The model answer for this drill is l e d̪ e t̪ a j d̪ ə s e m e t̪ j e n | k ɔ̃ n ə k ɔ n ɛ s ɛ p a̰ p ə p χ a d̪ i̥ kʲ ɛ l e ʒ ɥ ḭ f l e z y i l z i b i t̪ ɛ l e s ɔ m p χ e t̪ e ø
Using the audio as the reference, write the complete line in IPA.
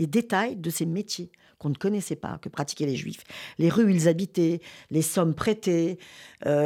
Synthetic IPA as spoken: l e d̪ e t̪ a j d̪ ə s e m e t̪ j e | k ɔ̃ n ə k ɔ n ɛ s ɛ p a̰ k ə p χ a t̪ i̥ kʲ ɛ l e ʒ ɥ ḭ f l e ʁ y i l z a b i t̪ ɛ l e s ɔ m p χ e t̪ e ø